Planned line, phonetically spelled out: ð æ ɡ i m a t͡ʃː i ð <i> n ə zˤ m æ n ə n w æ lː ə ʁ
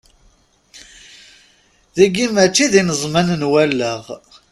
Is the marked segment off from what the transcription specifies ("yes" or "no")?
no